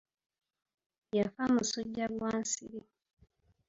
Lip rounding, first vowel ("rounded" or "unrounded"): unrounded